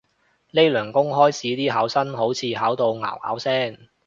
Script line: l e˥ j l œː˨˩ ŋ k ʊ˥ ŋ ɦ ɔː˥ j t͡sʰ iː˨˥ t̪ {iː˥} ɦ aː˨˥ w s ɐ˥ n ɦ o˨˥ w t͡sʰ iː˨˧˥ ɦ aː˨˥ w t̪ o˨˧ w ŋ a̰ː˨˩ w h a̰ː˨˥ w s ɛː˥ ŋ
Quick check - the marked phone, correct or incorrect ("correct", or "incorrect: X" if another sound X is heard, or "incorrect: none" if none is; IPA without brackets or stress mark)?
correct